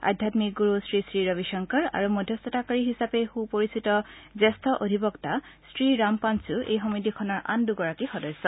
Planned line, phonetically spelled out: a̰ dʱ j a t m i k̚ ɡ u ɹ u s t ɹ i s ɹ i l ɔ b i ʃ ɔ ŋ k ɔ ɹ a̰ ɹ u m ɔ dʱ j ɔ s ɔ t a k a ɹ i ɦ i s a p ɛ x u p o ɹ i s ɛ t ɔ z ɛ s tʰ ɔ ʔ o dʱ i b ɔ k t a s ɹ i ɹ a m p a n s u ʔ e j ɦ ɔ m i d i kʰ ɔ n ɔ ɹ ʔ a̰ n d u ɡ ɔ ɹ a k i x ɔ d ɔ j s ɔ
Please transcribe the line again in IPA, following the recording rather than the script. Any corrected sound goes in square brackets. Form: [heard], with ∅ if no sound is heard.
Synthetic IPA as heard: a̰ dʱ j a t m i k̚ ɡ u ɹ u s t ɹ i s ɹ i [ɹ] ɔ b i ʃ ɔ ŋ k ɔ ɹ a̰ ɹ u m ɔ dʱ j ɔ s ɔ t a k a ɹ i ɦ i s a p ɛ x u p o ɹ i s [i] t ɔ z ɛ s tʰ ɔ ʔ o dʱ i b ɔ k t a s ɹ i ɹ a m p a n s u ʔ e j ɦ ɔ m i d i kʰ ɔ n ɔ ɹ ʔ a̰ n d u ɡ ɔ ɹ a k i x ɔ d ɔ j s ɔ